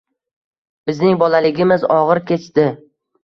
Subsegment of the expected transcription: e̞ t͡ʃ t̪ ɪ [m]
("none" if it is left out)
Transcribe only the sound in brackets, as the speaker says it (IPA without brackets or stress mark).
none